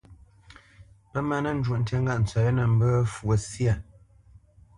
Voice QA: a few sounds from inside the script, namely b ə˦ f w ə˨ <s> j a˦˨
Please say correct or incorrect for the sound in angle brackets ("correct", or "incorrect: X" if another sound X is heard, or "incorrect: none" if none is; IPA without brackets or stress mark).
correct